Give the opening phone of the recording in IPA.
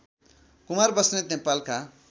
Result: k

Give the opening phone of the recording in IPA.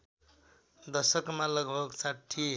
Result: d̪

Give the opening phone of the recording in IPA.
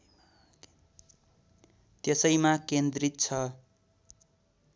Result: t̪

